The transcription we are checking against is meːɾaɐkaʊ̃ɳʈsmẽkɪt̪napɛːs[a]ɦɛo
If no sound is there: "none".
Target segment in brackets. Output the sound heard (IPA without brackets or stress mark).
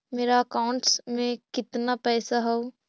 a